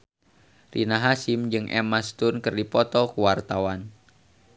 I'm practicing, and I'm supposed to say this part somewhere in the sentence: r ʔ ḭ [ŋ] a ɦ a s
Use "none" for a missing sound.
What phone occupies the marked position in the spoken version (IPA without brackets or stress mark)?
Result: n